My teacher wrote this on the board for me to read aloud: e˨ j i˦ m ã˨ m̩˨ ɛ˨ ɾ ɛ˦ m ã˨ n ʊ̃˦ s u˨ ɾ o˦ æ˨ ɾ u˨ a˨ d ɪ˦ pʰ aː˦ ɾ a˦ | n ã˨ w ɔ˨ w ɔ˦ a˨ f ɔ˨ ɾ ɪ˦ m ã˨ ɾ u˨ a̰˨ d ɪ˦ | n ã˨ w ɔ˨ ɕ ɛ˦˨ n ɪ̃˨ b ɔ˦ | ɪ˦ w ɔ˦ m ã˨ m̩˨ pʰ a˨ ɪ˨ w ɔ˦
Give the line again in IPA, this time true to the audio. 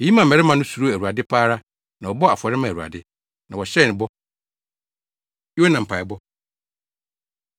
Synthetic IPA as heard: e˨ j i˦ m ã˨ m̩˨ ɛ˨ ɾ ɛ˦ m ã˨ n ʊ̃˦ s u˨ ɾ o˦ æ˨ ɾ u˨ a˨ d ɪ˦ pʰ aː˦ ɾ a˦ | n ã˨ w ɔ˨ b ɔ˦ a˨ f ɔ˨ ɾ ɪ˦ m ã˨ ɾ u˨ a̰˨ d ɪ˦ | n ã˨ w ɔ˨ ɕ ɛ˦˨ n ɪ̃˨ b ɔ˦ | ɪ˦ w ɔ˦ n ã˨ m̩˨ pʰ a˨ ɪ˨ b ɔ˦